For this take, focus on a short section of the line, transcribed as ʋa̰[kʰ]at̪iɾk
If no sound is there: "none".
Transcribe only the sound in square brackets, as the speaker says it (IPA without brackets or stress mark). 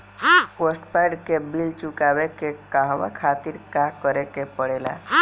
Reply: kʰ